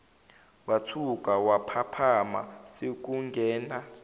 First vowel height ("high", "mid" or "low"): low